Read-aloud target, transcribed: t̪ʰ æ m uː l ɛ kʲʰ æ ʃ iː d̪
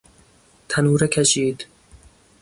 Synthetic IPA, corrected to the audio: t̪ʰ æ n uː ɾ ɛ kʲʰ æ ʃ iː d̪